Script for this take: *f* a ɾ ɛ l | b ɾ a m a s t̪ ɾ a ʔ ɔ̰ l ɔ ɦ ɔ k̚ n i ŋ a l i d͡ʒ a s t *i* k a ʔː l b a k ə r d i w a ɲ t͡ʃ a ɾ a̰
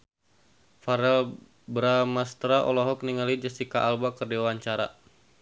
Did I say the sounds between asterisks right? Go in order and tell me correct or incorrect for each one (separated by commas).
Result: correct, correct